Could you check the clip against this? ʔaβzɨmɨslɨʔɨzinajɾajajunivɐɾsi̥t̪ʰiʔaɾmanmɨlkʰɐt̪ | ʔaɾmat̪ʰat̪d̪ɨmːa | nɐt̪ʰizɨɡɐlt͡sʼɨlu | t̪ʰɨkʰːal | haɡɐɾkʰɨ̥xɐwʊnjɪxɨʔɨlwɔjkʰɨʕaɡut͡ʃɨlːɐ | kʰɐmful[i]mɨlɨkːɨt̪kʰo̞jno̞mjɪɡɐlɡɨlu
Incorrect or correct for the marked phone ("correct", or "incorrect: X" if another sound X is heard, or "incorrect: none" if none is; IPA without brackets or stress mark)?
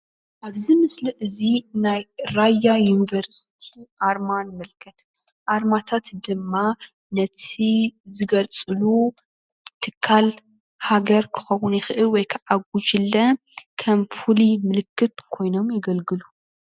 correct